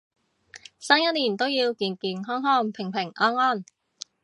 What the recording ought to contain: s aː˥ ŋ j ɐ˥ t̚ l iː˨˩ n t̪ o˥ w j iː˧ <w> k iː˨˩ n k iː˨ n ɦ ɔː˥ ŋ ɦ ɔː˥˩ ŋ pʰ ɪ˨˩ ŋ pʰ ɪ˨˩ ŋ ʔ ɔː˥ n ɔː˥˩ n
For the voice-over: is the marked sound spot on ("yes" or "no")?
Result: yes